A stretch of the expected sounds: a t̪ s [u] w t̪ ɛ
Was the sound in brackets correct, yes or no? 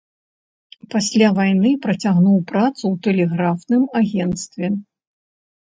yes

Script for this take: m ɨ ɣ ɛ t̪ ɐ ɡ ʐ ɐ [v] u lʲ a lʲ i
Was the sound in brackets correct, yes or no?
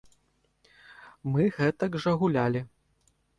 no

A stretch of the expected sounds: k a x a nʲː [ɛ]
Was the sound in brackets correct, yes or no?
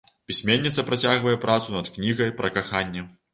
yes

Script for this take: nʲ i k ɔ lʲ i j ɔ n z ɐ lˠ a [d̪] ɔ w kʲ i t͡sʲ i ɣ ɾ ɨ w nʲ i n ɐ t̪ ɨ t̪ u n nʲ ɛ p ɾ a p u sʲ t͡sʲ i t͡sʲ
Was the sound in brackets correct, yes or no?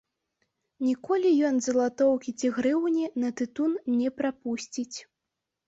no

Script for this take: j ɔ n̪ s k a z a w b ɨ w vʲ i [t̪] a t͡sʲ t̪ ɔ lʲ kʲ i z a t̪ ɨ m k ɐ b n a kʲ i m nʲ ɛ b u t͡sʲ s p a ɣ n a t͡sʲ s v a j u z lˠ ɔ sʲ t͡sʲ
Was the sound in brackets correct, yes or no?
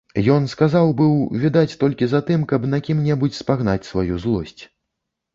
no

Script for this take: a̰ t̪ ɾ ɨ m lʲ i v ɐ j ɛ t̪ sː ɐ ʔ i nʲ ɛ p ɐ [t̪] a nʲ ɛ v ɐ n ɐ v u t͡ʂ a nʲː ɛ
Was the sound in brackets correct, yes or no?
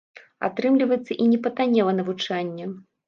yes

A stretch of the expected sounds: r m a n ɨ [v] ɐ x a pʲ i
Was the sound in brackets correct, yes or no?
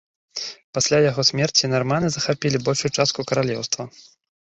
no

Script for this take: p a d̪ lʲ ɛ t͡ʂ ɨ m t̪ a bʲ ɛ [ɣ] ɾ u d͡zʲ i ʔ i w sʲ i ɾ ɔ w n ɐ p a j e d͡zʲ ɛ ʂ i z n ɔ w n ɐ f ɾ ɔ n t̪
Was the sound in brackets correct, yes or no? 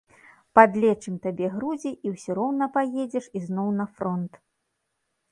yes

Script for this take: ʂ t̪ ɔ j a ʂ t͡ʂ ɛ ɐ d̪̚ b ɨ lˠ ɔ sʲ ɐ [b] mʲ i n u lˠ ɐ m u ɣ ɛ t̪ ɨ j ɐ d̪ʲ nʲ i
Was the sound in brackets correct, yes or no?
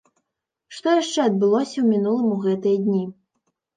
no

